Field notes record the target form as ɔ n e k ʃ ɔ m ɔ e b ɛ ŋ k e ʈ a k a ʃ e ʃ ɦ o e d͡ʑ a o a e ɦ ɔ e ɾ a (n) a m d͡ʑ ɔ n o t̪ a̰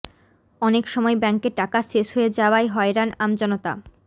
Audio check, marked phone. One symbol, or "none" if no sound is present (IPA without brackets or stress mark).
n